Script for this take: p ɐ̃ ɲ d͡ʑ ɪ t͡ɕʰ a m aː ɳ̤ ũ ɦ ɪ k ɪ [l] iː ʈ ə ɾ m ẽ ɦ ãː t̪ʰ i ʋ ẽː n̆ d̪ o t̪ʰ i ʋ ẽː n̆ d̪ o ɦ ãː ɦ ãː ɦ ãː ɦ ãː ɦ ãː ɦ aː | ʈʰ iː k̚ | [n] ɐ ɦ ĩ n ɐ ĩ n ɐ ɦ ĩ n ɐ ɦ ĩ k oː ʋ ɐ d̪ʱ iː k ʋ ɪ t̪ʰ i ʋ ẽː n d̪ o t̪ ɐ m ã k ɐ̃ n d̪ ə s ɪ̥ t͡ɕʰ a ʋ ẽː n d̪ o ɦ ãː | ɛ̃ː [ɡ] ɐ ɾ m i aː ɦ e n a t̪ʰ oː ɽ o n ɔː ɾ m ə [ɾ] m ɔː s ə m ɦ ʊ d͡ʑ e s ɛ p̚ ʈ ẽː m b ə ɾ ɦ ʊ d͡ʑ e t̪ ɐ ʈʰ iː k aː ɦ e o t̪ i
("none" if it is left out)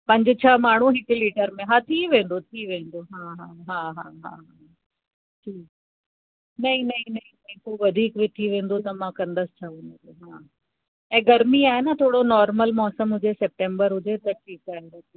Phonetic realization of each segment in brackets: l, n, ɡ, l

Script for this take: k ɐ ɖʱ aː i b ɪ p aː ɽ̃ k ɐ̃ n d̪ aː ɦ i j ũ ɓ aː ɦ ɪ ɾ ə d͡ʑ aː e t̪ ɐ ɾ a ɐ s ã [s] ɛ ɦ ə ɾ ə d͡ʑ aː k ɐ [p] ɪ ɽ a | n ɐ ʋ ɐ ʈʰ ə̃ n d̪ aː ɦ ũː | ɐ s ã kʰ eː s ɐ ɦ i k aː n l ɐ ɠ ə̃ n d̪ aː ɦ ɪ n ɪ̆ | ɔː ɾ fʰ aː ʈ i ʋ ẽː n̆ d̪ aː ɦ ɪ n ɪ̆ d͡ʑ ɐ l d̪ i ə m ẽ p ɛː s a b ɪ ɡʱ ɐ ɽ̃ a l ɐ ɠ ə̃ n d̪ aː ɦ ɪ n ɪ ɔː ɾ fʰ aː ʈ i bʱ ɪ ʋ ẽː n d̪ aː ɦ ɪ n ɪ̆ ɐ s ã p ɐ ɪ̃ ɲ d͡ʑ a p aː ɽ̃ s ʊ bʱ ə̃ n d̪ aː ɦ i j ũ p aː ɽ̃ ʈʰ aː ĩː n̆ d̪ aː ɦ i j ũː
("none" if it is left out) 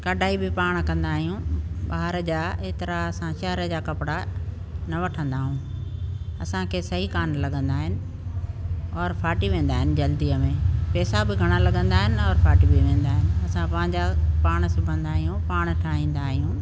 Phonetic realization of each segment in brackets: ʃ, p

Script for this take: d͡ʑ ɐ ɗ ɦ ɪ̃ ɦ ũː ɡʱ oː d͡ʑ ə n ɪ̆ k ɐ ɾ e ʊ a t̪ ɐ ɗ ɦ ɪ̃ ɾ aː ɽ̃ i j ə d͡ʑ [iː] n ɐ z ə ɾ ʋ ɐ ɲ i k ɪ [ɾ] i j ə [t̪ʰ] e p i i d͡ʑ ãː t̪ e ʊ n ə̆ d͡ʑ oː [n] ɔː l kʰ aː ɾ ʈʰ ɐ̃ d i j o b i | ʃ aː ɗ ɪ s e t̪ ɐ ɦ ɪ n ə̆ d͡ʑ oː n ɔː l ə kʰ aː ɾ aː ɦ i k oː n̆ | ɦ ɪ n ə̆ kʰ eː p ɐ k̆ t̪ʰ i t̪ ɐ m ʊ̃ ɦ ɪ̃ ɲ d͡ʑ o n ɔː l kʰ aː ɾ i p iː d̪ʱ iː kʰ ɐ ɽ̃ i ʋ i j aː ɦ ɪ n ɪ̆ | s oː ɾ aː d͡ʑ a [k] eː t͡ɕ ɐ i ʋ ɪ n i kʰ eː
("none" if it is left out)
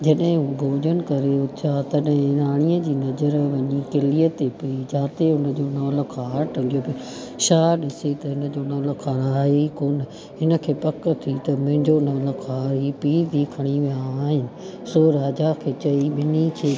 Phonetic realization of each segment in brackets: iː, l, t̪, n, kʰ

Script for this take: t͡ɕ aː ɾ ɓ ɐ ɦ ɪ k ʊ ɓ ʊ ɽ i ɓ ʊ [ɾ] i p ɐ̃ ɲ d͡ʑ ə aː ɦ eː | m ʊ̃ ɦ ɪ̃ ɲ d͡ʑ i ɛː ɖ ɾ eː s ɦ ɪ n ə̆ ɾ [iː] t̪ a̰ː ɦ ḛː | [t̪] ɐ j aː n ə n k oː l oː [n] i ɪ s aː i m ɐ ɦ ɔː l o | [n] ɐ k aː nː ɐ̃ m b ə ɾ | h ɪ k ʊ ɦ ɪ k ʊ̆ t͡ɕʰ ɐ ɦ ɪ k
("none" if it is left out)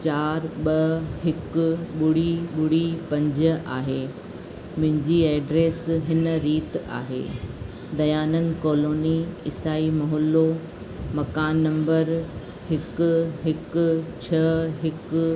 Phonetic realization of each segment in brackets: ɽ, iː, d̪, n, m

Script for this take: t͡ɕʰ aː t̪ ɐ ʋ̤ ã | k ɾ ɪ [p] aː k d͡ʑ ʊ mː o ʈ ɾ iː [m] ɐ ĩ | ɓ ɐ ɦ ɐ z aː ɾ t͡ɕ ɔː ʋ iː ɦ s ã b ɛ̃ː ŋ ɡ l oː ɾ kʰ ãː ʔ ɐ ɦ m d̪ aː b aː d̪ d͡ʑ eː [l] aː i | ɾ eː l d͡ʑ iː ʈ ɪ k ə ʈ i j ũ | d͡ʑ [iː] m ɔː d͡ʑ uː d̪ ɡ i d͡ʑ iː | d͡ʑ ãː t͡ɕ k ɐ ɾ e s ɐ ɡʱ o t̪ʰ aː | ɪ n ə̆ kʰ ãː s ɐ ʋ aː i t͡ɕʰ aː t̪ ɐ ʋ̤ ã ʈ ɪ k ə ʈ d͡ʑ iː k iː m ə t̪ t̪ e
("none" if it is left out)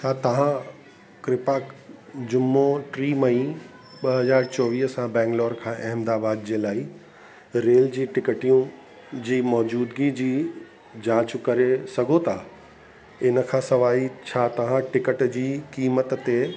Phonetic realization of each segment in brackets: p, m, l, iː

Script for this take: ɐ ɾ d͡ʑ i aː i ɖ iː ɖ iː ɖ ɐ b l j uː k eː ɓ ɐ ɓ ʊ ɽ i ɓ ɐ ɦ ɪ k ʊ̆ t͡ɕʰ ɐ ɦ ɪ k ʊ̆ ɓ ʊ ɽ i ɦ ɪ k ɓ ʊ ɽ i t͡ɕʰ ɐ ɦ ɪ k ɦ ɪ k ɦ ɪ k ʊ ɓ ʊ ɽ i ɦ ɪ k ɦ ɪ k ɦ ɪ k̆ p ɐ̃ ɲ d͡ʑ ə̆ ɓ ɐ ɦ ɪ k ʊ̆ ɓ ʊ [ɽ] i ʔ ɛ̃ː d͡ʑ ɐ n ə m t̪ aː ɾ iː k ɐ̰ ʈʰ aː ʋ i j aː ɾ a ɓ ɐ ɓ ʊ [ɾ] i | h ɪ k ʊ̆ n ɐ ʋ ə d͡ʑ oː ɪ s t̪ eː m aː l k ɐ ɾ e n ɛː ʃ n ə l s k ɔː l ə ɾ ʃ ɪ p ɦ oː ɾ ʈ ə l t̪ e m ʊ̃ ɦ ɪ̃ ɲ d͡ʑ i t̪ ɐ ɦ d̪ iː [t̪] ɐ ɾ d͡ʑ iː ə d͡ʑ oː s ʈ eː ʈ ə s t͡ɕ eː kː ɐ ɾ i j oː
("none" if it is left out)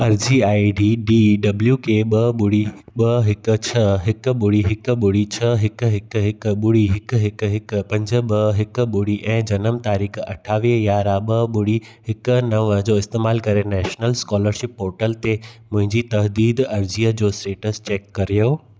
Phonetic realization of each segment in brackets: ɽ, ɽ, d̪

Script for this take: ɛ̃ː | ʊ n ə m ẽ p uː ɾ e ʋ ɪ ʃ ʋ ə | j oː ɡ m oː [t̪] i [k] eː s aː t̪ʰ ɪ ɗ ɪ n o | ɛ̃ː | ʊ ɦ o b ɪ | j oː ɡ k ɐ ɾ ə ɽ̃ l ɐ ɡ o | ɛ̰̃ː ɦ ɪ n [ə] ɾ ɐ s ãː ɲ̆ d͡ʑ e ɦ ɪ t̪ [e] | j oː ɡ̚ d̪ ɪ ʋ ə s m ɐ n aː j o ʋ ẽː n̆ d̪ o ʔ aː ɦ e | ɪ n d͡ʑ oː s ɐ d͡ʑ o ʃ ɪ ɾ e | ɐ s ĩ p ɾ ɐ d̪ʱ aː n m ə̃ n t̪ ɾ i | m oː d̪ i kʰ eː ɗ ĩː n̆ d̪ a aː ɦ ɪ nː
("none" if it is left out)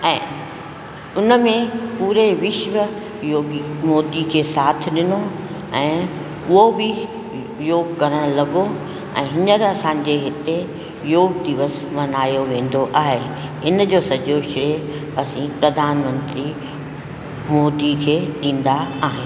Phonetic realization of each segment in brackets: d̪, kʰ, ə, e

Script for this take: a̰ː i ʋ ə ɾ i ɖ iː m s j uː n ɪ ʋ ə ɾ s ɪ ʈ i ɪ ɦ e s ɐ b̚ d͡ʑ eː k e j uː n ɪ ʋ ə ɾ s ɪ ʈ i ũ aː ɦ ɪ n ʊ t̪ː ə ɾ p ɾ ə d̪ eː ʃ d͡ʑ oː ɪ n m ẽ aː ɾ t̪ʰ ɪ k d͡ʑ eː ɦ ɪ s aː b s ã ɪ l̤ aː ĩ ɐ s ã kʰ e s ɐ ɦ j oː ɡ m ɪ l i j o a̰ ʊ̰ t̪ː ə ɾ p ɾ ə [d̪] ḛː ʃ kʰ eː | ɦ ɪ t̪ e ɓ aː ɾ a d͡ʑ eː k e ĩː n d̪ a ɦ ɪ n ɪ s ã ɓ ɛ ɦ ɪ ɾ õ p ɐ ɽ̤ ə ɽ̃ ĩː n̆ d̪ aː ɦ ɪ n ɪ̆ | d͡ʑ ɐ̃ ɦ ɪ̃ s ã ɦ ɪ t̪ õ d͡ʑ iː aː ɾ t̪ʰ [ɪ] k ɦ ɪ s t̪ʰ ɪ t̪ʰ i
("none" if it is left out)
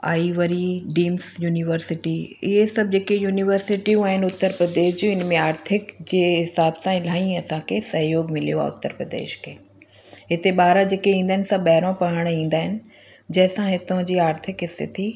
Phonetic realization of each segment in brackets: d̪, ɪ

